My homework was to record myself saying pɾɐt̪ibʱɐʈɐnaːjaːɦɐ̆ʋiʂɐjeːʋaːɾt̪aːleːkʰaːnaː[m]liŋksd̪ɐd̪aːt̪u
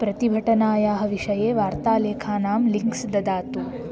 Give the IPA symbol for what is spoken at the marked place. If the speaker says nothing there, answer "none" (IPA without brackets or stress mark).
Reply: m